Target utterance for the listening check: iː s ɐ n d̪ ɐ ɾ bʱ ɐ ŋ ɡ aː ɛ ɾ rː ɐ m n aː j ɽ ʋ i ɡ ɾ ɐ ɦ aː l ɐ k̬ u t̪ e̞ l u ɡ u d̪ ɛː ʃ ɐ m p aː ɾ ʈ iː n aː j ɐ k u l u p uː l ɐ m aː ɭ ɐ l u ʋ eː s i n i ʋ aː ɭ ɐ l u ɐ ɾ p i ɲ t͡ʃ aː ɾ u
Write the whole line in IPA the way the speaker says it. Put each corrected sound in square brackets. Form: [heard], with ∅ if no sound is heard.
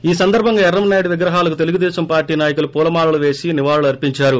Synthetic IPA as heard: iː s ɐ n d̪ ɐ ɾ bʱ ɐ ŋ ɡ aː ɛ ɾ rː ɐ m n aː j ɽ ʋ i ɡ ɾ ɐ ɦ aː l ɐ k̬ u t̪ e̞ l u ɡ u d̪ ɛː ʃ ɐ m p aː ɾ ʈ iː n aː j ɐ k u l u p uː l ɐ m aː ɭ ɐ l u ʋ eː s i n i ʋ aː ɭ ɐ l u ɐ ɾ p i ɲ t͡ʃ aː ɾ u